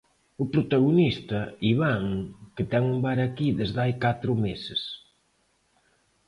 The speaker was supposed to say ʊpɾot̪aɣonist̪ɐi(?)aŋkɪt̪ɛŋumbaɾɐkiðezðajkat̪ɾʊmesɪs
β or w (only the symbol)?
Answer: β